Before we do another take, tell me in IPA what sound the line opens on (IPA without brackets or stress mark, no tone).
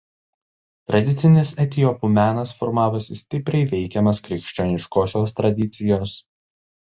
t̪